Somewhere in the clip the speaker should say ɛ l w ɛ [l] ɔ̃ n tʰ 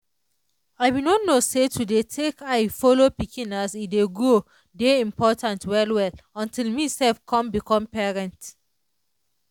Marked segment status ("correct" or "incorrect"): correct